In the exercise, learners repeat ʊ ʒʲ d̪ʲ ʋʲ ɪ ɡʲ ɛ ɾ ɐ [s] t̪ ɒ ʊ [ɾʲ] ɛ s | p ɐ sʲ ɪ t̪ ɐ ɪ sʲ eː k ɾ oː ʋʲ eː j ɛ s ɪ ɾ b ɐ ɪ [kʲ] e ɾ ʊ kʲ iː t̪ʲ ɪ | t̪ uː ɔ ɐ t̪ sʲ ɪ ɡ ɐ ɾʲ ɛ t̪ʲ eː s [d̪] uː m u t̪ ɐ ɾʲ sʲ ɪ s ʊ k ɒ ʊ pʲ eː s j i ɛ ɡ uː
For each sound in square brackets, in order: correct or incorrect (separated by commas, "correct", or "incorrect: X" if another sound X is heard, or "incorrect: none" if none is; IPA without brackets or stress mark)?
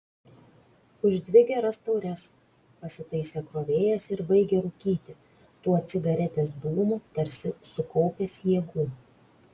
correct, correct, incorrect: ɡʲ, correct